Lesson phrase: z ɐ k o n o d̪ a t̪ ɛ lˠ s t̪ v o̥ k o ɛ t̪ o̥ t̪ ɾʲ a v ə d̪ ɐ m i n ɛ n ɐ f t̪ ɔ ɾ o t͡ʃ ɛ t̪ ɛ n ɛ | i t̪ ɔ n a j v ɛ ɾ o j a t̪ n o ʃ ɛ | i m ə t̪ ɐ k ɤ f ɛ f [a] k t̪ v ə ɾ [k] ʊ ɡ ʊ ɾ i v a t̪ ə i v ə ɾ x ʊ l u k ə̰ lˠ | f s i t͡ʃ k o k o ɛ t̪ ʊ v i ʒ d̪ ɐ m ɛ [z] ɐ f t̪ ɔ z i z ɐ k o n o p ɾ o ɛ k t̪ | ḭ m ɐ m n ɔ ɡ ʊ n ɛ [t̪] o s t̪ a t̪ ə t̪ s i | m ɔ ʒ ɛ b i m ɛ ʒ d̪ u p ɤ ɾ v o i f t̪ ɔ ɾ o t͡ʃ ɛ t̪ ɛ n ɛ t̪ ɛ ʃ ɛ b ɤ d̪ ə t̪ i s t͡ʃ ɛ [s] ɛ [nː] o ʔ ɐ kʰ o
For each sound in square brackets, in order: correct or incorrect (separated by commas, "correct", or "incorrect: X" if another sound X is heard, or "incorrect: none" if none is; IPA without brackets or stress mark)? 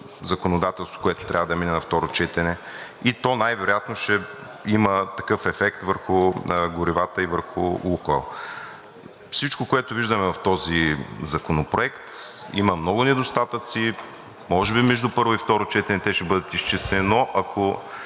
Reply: incorrect: ɛ, incorrect: x, incorrect: v, incorrect: d̪, correct, incorrect: n